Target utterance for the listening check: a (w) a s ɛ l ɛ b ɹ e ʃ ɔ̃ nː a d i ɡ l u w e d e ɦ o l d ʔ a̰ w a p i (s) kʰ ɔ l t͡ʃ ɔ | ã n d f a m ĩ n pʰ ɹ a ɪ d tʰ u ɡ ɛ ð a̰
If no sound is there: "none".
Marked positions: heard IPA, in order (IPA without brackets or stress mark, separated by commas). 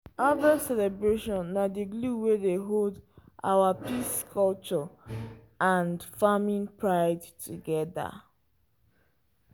v, s